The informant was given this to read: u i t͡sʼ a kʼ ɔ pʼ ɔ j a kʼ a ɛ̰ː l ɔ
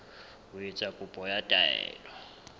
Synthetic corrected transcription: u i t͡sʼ a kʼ u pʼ ɔ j a tʼ a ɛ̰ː l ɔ